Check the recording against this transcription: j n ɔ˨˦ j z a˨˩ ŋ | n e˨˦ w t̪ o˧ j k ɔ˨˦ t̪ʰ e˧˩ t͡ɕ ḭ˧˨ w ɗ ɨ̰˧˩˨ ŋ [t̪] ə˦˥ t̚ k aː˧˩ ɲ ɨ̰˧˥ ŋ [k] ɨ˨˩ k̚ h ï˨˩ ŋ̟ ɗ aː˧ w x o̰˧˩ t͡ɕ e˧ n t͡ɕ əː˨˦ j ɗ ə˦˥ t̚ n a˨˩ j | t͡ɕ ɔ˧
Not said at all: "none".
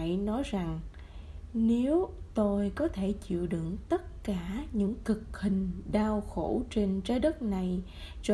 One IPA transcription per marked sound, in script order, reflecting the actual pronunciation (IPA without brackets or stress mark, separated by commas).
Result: t̪, k